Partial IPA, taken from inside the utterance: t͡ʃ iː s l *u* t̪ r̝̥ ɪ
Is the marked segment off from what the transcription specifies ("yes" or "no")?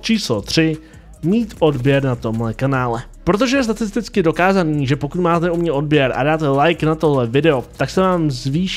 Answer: yes